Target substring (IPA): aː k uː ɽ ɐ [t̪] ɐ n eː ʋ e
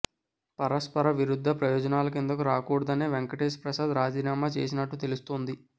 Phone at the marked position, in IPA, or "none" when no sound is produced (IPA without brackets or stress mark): d̪